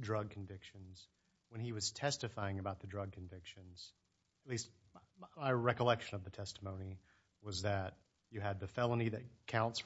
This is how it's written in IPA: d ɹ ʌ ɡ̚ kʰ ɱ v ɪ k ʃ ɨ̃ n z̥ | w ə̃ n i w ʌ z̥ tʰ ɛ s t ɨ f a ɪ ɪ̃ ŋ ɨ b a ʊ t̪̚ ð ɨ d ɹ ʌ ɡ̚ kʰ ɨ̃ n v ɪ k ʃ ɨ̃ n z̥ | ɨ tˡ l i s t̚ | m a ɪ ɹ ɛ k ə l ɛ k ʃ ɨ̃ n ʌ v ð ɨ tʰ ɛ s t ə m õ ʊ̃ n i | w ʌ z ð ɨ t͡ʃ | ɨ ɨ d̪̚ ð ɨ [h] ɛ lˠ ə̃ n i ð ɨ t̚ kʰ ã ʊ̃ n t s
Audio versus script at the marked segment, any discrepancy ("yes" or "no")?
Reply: yes